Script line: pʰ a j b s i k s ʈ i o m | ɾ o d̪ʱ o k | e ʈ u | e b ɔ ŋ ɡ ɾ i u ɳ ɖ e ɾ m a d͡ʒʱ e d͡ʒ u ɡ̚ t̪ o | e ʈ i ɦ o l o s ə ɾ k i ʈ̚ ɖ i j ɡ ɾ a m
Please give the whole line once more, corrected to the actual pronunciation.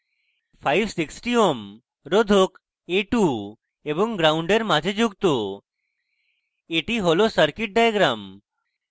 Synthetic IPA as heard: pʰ a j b s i k s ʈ i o m | ɾ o d̪ʱ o k | e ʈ u | e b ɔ ŋ ɡ ɾ a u ɳ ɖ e ɾ m a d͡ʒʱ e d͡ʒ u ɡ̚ t̪ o | e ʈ i ɦ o l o s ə ɾ k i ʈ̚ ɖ a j ɡ ɾ a m